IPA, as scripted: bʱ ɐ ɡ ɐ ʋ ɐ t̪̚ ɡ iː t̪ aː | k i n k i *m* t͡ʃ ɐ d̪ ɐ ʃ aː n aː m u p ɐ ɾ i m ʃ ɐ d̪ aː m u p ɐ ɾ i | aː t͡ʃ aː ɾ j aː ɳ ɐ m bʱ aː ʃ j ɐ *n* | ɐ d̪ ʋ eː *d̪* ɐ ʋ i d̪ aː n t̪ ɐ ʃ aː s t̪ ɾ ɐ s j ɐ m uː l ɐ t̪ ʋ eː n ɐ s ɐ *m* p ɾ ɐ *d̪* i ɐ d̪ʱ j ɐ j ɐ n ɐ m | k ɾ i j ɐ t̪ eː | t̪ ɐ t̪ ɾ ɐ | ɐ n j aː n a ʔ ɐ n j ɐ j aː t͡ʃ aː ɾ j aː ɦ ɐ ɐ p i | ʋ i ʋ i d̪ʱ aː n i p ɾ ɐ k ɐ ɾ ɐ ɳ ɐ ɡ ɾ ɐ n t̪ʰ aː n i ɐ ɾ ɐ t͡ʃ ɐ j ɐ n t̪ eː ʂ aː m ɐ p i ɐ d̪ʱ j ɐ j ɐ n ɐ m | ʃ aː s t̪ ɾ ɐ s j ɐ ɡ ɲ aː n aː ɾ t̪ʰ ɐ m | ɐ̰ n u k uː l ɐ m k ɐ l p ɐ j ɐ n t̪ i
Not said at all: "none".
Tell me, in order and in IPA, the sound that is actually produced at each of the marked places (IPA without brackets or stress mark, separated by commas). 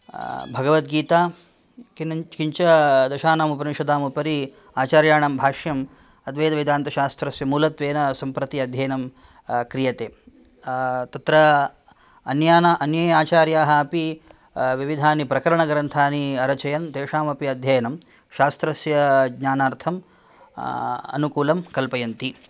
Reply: ɲ, m, d̪, m, t̪